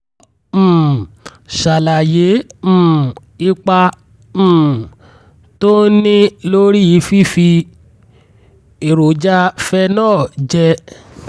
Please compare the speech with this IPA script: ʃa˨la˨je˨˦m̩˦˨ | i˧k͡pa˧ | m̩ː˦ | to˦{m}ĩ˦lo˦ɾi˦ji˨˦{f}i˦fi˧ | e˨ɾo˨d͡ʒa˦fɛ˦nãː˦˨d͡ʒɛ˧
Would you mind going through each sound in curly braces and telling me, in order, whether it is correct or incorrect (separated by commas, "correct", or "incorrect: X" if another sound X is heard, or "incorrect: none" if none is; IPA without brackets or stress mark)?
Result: incorrect: n, correct